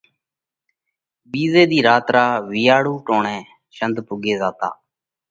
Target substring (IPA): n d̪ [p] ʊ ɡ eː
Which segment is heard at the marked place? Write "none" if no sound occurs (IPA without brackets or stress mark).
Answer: p